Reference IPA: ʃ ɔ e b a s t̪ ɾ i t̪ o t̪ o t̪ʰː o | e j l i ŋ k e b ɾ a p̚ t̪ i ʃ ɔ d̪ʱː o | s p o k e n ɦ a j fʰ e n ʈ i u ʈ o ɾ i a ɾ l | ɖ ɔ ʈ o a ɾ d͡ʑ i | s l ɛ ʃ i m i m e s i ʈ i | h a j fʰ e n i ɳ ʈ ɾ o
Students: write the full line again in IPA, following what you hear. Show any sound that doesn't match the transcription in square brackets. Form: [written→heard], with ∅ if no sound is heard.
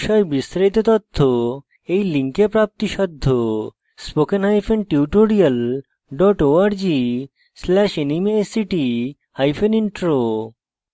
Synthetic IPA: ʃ ɔ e b [a→i] s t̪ ɾ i t̪ o t̪ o t̪ʰː o | e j l i ŋ k e [b→p] ɾ a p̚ t̪ i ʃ ɔ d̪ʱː o | s p o k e n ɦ a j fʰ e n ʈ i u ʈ o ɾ i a [ɾ→∅] l | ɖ ɔ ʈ o a ɾ d͡ʑ i | s l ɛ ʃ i [m→n] i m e s i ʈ i | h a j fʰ e n i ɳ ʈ ɾ o